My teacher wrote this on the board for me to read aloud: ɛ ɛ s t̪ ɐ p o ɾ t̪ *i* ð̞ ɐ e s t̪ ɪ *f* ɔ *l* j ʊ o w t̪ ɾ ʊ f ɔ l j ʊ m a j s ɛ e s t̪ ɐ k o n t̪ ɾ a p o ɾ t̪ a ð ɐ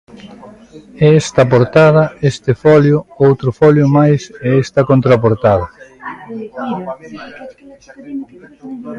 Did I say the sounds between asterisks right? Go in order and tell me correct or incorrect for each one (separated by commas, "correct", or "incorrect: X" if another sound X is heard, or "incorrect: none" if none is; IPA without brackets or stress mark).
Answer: incorrect: a, correct, correct